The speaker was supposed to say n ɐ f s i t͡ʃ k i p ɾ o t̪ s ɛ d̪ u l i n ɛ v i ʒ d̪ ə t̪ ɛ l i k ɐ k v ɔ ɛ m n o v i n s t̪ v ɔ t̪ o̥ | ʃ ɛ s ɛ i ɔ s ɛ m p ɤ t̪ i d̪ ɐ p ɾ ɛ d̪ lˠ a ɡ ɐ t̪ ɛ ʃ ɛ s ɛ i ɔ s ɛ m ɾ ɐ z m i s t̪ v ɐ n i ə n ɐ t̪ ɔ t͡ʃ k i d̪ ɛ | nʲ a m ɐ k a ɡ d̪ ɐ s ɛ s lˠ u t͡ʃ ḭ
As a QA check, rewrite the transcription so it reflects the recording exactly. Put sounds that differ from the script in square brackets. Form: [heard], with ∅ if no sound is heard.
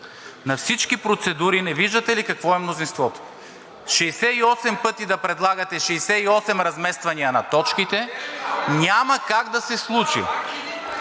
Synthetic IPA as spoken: n ɐ f s i t͡ʃ k i p ɾ o t̪ s ɛ d̪ u [ɾ] i n ɛ v i ʒ d̪ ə t̪ ɛ l i k ɐ k v ɔ ɛ m n o [z] i n s t̪ v ɔ t̪ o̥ | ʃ ɛ s ɛ i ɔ s ɛ m p ɤ t̪ i d̪ ɐ p ɾ ɛ d̪ lˠ a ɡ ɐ t̪ ɛ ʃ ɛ s ɛ i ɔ s ɛ m ɾ ɐ z m [ɛ] s t̪ v ɐ n i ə n ɐ t̪ ɔ t͡ʃ k i [t̪] ɛ | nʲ a m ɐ k a ɡ d̪ ɐ s ɛ s lˠ u t͡ʃ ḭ